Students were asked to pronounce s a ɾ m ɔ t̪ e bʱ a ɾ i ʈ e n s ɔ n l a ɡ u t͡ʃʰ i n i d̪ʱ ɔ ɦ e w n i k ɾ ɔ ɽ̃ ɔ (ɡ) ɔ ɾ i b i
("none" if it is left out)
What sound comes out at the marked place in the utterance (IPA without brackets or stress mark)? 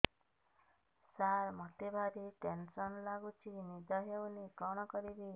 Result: k